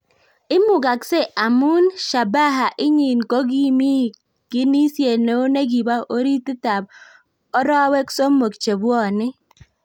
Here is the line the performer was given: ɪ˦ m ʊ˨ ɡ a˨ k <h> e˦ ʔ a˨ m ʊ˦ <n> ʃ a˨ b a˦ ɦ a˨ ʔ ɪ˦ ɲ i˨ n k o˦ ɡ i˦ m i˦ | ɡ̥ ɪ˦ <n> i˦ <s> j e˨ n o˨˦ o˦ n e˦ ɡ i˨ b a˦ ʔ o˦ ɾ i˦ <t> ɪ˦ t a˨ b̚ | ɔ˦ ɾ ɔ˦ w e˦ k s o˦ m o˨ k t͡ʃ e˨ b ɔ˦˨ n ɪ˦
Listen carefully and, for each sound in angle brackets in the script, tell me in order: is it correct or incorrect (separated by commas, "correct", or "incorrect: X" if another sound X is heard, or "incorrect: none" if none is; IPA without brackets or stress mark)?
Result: incorrect: s, correct, correct, correct, correct